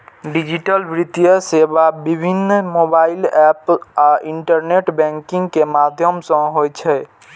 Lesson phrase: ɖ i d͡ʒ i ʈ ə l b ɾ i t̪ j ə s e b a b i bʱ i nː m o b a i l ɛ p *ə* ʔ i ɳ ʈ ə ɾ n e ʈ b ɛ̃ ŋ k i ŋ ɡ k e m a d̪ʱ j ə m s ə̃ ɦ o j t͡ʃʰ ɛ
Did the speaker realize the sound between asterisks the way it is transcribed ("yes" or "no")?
no